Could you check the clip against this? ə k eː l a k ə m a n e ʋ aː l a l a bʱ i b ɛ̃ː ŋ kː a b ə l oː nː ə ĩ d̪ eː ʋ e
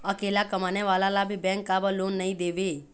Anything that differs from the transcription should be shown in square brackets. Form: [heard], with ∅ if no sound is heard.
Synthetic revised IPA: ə k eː l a k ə m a n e ʋ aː l a l a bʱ i b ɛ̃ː ŋ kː a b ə l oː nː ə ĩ d̪ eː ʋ e